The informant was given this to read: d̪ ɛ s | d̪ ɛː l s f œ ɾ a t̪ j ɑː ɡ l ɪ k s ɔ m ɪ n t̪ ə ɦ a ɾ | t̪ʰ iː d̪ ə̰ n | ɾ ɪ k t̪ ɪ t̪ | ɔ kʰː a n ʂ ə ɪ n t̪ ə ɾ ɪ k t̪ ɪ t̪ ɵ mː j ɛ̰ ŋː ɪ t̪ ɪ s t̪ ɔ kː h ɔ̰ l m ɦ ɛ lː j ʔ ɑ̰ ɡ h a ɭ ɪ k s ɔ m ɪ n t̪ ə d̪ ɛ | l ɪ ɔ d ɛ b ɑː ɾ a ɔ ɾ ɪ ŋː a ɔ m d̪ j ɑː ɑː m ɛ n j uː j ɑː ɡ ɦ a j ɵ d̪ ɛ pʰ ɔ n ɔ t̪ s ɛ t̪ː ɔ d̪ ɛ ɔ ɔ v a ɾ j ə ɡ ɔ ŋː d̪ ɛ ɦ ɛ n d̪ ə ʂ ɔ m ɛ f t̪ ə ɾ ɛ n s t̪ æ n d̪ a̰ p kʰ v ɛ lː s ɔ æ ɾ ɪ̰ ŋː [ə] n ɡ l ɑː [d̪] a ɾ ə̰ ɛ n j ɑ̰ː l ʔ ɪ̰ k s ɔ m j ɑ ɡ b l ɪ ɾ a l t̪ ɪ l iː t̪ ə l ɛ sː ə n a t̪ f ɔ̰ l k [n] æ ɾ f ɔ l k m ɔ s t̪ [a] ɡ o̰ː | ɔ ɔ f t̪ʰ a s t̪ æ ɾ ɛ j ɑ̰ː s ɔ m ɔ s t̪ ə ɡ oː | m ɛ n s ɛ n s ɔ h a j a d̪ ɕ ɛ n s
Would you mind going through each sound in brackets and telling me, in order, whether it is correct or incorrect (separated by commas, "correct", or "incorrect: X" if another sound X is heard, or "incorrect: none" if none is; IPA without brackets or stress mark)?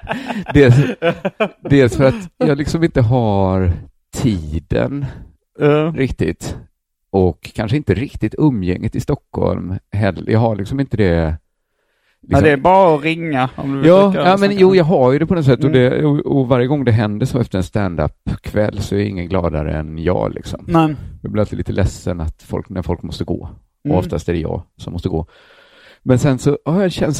correct, correct, correct, incorrect: ə